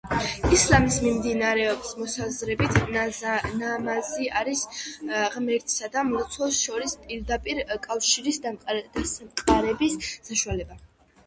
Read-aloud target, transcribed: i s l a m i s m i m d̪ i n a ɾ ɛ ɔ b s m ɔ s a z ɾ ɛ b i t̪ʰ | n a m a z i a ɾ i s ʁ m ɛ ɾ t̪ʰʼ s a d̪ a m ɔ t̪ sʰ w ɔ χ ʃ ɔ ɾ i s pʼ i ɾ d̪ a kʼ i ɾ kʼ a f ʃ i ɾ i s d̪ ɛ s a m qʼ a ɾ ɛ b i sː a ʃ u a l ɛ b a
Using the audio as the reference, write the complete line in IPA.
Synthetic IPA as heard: i s l a m i s m i m d̪ i n a ɾ ɛ ɔ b s m ɔ s a z ɾ ɛ b i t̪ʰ | n a m a z i a ɾ i s ʁ m ɛ ɾ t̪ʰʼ s a d̪ a m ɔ t̪ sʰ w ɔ s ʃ ɔ ɾ i s pʼ i ɾ d̪ a pʼ i ɾ kʼ a f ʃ i ɾ i s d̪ a s a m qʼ a ɾ ɛ b i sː a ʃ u a l ɛ b a